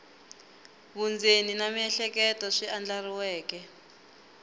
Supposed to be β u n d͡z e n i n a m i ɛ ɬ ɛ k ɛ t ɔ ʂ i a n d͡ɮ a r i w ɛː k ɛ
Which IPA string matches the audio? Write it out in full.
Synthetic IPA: β u n d͡z e n i n a m i ɛ ɬ ɛ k ɛ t ɔ ʂ i a n d͡ɮ a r i w ɛː k ɛ